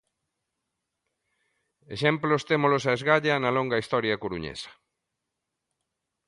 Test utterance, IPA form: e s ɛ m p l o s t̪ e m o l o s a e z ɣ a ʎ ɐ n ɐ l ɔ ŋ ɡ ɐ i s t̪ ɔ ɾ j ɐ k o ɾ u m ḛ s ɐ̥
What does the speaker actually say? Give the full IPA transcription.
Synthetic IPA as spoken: e ʃ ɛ m p l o s t̪ e m o l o s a e z ɣ a ʎ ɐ n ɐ l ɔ ŋ ɡ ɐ i s t̪ ɔ ɾ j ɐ k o ɾ u ɲ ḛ s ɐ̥